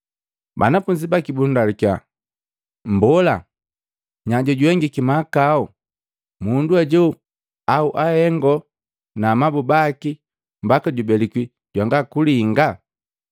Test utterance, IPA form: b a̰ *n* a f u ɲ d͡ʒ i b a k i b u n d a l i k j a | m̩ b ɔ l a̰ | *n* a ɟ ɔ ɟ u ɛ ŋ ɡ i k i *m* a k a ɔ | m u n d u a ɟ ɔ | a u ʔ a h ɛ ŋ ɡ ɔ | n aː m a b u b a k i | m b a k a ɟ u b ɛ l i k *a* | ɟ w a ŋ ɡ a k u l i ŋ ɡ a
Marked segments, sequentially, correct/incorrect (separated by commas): correct, incorrect, correct, incorrect